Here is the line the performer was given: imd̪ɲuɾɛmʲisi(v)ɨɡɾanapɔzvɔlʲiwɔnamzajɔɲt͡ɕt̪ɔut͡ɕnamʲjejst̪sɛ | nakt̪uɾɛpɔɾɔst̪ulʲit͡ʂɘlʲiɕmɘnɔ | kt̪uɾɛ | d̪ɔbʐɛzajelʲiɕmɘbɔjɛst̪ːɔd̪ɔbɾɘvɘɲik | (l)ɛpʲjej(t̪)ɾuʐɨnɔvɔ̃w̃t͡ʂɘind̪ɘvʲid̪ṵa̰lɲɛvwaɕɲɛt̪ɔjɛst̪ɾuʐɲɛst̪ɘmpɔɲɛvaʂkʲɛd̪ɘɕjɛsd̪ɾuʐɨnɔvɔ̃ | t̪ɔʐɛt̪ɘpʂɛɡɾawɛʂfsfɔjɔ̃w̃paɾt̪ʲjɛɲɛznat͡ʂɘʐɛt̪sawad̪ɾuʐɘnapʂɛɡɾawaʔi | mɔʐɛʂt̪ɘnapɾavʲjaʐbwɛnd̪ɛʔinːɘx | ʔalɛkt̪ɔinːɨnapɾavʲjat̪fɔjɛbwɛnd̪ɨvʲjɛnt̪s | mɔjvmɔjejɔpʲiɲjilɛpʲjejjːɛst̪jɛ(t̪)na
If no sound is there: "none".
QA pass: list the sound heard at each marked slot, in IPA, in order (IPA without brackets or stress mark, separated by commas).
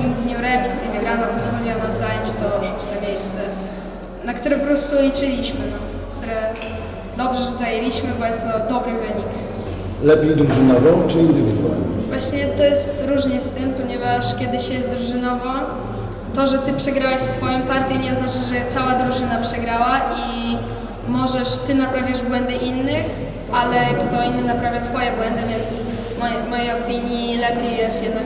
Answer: v, l, d̪, d̪